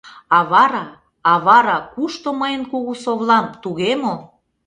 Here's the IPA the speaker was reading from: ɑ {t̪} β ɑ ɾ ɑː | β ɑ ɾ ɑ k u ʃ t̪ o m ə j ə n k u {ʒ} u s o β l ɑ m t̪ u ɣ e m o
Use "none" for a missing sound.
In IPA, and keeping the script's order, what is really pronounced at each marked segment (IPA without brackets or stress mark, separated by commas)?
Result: none, ɣ